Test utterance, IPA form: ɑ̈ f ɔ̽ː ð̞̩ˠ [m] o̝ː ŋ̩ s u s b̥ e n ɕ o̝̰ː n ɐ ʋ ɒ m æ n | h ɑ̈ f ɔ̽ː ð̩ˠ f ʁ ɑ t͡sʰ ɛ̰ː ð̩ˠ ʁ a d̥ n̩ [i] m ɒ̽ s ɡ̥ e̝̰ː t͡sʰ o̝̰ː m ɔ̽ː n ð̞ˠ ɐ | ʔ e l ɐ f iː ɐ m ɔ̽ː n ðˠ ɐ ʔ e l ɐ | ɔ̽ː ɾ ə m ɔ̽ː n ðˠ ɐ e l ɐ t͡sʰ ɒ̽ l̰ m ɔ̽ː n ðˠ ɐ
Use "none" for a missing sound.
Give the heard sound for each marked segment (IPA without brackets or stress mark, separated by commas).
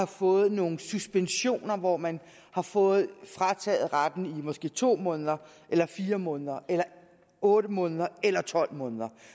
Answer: n, i